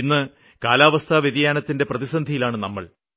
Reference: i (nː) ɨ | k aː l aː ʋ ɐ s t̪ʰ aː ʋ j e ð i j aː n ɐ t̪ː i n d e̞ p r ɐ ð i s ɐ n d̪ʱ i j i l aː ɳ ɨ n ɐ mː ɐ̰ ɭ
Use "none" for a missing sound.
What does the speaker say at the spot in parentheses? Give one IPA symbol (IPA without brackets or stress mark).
nː